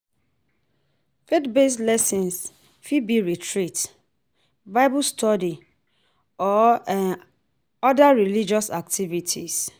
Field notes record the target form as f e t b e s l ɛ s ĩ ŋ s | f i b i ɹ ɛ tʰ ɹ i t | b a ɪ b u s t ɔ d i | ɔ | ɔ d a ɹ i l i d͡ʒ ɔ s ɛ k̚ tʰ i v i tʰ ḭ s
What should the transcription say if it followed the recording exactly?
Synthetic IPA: f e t b e s l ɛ s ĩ n s | f i b i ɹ i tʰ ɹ i t | b a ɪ b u s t ɔ d i | ɔ | ɔ d a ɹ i l i d͡ʒ ɔ s a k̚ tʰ i v i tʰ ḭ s